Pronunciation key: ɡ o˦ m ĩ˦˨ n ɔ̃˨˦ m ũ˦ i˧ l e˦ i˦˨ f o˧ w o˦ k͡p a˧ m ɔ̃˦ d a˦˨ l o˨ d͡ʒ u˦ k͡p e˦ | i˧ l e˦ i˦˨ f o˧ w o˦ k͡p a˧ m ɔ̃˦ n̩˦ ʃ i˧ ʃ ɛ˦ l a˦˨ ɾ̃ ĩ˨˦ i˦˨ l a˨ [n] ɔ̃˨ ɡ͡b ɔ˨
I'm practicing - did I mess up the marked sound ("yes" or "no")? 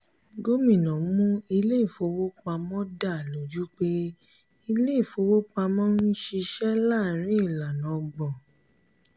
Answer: no